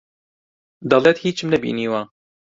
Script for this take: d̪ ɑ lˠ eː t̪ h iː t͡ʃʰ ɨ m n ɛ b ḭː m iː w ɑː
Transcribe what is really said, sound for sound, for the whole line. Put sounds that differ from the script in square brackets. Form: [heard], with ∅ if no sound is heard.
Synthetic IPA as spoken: d̪ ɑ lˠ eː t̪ h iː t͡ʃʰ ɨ m n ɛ b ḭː [n] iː w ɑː